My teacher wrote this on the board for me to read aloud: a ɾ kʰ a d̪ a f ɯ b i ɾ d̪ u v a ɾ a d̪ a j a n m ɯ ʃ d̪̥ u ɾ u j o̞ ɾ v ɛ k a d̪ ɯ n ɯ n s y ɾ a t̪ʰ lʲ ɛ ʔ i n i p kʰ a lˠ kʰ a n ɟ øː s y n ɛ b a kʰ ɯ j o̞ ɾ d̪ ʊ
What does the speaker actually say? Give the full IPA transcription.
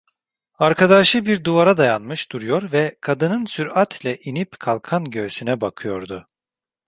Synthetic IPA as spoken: a ɾ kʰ a d̪ a ʃ ɯ b i ɾ d̪ u v a ɾ a d̪ a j a n m ɯ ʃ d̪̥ u ɾ u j o̞ ɾ v ɛ kʰ a d̪ ɯ n ɯ n s y ɾ a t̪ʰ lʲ ɛ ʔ i n i p kʰ a lˠ kʰ a n ɟ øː s y n ɛ b a kʰ ɯ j o̞ ɾ d̪ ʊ